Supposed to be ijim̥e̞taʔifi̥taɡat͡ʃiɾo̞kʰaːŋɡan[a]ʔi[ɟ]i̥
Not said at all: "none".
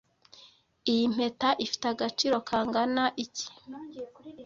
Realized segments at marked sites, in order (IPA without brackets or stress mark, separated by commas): a, c